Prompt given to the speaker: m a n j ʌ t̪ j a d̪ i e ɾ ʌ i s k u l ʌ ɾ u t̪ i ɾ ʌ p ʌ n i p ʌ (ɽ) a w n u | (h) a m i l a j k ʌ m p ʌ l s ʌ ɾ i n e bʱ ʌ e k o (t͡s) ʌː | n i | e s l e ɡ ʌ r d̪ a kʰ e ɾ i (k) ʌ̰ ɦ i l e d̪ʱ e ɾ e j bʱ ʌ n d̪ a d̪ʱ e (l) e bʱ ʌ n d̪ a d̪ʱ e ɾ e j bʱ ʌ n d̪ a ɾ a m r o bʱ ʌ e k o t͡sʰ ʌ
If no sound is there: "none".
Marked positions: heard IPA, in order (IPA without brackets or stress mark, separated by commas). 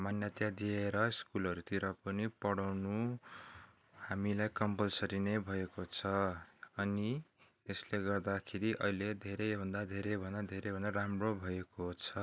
ɽ, h, t͡sʰ, ʔ, ɾ